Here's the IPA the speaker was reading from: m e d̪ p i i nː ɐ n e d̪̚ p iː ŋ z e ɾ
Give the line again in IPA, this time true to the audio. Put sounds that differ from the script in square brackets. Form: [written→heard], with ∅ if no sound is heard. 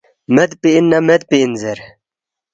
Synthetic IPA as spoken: m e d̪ p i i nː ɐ [n→m] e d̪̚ p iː [ŋ→n] z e ɾ